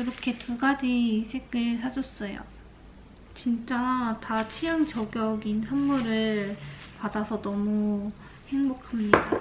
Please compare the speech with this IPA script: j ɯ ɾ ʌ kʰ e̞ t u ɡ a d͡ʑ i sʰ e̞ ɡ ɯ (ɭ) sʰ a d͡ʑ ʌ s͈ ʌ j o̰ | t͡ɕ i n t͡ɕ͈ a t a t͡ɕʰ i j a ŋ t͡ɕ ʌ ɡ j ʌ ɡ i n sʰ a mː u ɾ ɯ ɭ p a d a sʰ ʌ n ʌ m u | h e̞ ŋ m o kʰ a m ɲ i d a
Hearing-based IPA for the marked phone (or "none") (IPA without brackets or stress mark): ɭ